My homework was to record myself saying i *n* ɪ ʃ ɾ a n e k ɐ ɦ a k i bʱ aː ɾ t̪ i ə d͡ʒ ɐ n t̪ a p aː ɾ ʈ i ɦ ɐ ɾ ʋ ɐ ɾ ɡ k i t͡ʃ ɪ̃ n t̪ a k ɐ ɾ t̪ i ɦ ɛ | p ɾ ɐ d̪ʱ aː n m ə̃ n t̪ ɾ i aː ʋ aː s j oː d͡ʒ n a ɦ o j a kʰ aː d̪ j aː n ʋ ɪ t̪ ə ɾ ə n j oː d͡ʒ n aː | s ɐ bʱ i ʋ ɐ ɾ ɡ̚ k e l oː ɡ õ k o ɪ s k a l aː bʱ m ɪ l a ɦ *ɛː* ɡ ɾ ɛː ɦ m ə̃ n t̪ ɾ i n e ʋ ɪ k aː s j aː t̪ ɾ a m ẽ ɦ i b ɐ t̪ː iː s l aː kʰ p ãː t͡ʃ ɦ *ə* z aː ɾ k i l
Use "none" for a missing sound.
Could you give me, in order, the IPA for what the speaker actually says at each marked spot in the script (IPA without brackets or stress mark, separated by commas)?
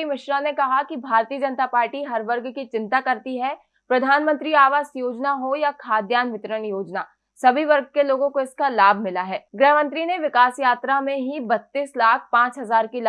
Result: m, ɛː, ɐ